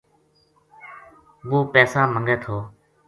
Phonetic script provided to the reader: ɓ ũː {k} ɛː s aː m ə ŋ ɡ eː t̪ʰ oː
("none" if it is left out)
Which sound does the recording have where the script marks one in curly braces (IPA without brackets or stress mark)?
p